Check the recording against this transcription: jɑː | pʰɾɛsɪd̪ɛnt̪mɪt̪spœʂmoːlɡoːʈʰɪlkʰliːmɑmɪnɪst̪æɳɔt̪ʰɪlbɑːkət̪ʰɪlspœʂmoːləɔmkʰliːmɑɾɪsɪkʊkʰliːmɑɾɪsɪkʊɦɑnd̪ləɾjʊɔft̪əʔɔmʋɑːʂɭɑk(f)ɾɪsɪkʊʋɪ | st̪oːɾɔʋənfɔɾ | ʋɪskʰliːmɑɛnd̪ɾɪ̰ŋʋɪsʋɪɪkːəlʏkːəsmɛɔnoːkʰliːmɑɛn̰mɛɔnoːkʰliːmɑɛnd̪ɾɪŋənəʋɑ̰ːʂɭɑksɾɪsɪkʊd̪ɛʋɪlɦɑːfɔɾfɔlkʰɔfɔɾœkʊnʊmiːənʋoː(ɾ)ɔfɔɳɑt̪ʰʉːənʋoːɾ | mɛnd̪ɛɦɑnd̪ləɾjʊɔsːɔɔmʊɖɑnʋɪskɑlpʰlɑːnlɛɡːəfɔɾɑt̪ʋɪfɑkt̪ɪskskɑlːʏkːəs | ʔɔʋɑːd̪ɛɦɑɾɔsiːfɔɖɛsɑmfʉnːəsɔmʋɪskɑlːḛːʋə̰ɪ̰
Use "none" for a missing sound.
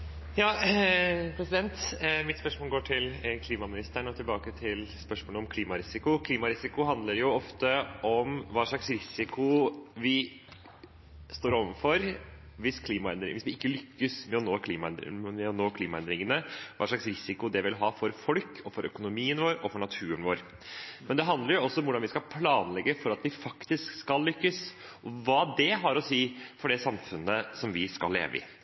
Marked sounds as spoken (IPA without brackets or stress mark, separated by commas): s, ɾ